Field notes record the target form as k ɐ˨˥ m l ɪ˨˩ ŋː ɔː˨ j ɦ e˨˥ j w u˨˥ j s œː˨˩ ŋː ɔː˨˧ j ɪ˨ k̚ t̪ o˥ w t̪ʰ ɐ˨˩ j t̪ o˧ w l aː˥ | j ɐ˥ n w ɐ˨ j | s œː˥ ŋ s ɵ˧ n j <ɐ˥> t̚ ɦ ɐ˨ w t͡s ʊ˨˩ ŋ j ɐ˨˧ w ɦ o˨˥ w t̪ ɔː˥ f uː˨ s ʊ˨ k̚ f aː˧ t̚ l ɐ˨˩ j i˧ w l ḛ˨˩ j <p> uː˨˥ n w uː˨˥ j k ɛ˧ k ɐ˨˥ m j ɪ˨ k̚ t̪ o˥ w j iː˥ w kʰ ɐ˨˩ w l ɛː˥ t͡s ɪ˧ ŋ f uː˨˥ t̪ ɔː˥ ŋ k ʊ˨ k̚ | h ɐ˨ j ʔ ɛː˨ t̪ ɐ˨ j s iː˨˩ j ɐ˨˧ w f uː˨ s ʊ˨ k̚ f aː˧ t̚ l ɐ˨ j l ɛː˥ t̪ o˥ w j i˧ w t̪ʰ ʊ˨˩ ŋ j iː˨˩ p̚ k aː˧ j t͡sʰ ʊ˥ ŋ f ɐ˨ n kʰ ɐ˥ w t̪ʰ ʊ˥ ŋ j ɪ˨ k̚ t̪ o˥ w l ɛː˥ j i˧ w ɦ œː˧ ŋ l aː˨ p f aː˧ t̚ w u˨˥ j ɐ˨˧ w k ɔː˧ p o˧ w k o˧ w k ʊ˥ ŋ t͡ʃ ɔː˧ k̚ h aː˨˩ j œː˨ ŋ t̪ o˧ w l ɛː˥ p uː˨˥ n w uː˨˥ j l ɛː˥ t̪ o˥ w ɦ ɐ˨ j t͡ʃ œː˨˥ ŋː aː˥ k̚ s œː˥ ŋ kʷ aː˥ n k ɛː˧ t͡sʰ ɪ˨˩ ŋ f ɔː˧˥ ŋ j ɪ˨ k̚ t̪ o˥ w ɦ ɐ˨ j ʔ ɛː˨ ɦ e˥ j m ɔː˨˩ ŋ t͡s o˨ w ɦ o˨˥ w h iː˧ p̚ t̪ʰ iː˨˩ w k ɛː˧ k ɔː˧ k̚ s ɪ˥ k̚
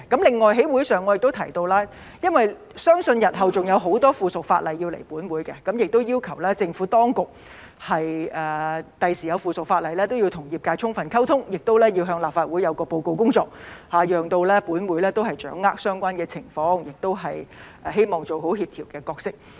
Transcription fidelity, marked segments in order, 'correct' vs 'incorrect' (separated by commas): incorrect, correct